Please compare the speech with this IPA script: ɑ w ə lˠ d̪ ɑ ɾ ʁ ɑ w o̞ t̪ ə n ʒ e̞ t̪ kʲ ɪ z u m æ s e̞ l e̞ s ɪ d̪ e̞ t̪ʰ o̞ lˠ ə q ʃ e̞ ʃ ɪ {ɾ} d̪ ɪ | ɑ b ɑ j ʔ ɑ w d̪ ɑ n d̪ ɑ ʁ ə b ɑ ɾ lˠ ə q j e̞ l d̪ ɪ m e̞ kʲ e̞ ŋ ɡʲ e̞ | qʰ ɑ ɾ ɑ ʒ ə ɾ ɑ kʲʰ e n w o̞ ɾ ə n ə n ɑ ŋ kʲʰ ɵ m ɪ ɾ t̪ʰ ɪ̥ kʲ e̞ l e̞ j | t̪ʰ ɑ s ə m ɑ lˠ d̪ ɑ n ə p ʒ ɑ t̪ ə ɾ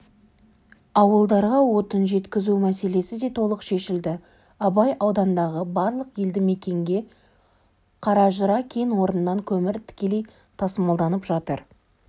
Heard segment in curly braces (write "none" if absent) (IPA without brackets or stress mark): l